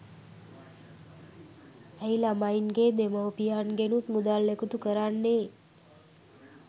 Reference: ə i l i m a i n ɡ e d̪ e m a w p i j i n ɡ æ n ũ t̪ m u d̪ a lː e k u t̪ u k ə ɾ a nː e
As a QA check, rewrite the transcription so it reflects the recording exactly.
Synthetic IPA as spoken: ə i l a m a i n ɡ e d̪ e m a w p i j a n ɡ e n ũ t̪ m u d̪ a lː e k u t̪ u k ə ɾ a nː e